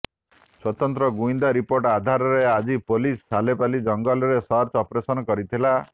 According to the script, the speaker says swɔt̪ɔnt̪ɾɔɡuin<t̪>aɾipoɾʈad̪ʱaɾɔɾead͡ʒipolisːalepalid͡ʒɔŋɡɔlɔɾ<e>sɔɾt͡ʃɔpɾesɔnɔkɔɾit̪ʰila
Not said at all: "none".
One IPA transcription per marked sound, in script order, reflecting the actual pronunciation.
d̪, e

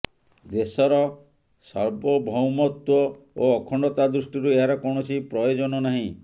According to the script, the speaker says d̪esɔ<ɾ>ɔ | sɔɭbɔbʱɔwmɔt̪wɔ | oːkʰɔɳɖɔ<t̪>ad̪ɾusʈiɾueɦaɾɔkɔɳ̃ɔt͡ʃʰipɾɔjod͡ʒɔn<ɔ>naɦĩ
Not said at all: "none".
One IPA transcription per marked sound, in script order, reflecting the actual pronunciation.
ɾ, t̪, ɔ

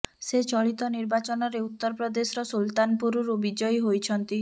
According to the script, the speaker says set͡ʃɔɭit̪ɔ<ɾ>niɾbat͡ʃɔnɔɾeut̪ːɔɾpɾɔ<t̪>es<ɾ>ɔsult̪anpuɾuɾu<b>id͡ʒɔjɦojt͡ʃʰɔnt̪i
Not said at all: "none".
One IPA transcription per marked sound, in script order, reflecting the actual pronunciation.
none, d̪, ɾ, b

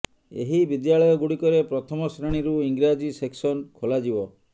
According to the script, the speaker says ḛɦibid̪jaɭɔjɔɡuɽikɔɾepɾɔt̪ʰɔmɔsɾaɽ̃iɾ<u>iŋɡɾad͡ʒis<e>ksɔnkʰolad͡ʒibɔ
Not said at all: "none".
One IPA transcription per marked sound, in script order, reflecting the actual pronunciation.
u, e

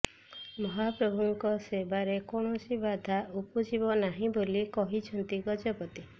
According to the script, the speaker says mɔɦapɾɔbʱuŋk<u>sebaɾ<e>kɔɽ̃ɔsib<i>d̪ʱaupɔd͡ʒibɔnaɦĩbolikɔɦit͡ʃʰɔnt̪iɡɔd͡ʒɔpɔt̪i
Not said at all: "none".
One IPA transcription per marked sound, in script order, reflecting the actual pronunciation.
ɔ, e, a

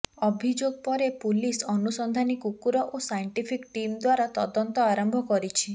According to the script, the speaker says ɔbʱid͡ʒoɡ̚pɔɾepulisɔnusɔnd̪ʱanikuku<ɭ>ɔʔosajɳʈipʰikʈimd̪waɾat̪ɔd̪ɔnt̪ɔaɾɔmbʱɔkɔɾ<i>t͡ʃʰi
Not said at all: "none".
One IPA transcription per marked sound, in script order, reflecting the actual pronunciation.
ɾ, i

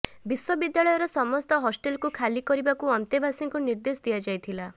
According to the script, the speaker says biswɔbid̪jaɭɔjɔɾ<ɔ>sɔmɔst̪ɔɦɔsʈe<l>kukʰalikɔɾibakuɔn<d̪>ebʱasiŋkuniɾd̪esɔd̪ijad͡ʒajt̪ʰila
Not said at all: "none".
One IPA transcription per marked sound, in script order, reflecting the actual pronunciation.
ɔ, l, t̪

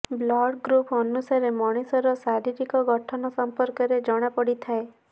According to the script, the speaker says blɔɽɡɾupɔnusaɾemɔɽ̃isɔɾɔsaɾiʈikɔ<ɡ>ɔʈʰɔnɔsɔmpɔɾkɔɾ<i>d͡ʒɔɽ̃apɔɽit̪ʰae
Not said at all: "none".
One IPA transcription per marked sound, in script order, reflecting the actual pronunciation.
ɡ, e

